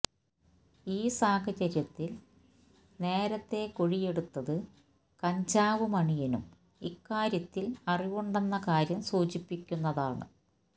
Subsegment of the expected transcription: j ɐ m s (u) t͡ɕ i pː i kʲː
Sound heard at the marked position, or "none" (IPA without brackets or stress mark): uː